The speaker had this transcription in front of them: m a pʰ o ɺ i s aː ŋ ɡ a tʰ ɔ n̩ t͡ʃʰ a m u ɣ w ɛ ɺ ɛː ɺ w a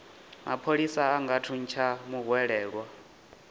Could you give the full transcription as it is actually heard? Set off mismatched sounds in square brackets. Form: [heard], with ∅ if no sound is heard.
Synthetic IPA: m a pʰ o ɺ i s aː ŋ ɡ a tʰ [u] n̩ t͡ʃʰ a m u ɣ w ɛ ɺ ɛː ɺ w a